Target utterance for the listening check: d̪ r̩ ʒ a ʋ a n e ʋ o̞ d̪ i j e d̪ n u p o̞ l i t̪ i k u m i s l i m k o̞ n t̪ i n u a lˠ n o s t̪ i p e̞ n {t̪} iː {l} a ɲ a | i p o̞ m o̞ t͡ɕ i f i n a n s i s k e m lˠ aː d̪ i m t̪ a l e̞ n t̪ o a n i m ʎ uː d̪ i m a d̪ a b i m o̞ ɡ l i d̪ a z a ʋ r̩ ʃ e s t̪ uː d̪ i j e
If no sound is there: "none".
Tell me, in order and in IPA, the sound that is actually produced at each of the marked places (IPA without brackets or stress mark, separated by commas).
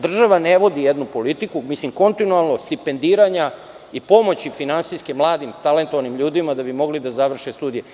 d̪, ɾ